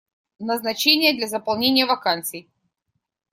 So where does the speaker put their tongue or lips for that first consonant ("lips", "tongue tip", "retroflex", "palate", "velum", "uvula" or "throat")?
tongue tip